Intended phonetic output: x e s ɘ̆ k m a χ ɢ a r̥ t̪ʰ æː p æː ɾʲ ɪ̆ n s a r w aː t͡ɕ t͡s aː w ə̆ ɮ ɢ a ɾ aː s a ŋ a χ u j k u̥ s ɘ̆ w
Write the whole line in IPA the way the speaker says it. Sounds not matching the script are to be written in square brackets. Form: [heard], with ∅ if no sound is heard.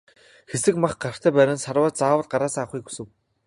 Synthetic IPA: x e s ɘ̆ k m a χ ɢ a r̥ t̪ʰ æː p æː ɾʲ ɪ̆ n s a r w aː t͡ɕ t͡s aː w ə̆ ɮ ɢ a ɾ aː s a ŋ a χ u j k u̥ s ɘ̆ w